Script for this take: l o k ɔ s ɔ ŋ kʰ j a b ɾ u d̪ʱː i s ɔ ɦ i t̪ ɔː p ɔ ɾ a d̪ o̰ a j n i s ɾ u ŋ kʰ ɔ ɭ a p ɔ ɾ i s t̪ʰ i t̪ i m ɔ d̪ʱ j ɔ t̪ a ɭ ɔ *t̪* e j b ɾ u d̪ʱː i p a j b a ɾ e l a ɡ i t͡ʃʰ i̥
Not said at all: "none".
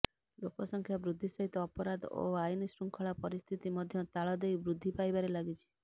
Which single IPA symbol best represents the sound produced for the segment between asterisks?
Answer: d̪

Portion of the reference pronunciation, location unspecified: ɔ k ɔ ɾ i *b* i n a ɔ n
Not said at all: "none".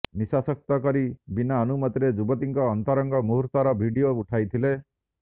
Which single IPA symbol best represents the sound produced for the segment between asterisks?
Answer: b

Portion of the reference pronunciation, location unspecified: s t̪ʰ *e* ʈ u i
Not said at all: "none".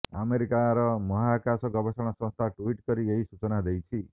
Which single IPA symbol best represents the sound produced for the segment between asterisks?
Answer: a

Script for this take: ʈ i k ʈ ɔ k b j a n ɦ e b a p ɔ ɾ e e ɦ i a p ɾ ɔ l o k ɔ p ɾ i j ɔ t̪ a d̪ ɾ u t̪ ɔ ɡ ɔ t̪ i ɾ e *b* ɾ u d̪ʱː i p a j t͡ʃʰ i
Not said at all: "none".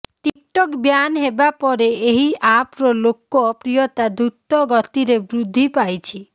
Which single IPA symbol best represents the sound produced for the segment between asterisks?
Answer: b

